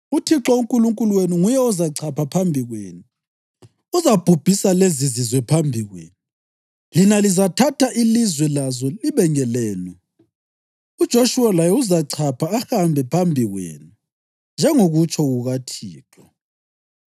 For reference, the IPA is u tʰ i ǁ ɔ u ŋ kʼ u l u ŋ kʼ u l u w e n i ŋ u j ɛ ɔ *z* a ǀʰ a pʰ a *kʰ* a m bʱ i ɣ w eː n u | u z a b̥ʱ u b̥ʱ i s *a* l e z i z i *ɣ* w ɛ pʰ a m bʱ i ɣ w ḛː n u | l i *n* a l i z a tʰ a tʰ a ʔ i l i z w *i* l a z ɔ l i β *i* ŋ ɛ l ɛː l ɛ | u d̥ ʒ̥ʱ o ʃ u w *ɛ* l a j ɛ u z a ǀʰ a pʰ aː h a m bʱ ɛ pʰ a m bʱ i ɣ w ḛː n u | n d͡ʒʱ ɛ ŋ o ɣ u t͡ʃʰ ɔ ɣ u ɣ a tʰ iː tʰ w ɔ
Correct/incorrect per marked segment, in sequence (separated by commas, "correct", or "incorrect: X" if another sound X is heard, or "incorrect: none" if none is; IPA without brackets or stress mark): correct, incorrect: pʰ, correct, incorrect: z, correct, incorrect: ɛ, incorrect: ɛ, incorrect: a